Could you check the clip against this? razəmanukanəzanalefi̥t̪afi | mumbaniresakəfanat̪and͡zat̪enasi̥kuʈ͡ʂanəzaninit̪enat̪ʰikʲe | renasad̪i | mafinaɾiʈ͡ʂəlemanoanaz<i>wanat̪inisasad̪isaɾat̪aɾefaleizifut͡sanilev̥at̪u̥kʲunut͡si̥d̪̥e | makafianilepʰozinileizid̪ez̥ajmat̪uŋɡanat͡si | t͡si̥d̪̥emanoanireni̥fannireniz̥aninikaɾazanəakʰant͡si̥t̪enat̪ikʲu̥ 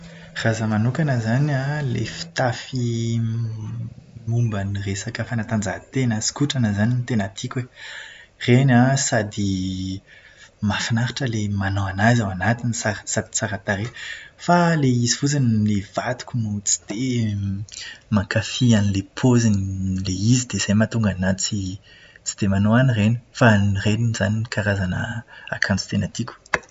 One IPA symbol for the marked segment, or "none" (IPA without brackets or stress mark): a